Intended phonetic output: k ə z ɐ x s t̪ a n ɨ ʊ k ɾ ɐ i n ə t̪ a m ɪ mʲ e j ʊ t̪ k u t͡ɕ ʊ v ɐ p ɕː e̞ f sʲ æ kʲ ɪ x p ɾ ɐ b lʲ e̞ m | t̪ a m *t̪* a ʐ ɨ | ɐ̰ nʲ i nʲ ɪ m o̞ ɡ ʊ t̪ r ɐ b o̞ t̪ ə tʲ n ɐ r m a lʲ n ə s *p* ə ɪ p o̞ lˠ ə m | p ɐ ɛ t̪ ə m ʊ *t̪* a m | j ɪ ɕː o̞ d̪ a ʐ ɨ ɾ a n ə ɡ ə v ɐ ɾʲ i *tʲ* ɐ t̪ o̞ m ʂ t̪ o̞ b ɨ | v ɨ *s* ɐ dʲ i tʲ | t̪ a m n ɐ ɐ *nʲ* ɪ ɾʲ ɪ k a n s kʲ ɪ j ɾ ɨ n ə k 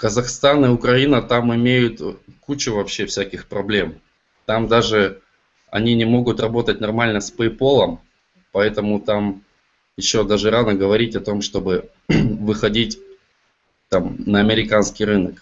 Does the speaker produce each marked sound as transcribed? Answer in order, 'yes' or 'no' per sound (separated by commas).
no, yes, yes, yes, no, no